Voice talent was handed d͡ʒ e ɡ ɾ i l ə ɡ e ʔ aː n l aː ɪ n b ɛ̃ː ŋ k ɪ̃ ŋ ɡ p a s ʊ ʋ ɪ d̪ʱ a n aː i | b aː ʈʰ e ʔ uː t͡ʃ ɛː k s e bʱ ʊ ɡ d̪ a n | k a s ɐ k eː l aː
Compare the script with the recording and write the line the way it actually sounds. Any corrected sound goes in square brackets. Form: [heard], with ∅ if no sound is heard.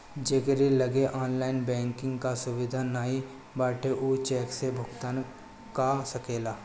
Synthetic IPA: d͡ʒ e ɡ ɾ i l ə ɡ e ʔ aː n l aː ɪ n b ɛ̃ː ŋ k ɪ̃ ŋ ɡ [k] a s ʊ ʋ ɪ d̪ʱ a n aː i | b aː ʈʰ e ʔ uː t͡ʃ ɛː k s e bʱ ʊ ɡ [t̪] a n | k a s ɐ k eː l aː